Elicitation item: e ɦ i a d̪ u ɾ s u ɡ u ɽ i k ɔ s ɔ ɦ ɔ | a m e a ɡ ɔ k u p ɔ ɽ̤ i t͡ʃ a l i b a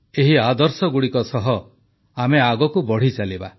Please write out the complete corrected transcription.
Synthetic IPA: e ɦ i a d̪ ɔ ɾ s ɔ ɡ u ɽ i k ɔ s ɔ ɦ ɔ | a m e a ɡ ɔ k u b ɔ ɽ̤ i t͡ʃ a l i b a